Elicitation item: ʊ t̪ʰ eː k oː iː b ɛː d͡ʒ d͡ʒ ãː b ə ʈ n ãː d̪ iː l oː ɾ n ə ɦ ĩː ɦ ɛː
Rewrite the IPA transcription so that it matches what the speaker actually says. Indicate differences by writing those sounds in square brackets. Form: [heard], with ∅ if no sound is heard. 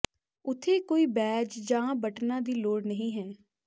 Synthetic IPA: ʊ t̪ʰ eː k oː iː b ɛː d͡ʒ d͡ʒ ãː b ə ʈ n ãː d̪ iː l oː [ɽ] n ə ɦ ĩː ɦ ɛː